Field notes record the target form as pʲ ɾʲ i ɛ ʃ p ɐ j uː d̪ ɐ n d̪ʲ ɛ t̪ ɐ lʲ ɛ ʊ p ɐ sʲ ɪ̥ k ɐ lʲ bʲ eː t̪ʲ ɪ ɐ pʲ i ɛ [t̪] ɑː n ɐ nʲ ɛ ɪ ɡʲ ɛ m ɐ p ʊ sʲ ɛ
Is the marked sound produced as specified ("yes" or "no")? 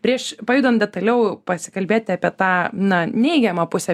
yes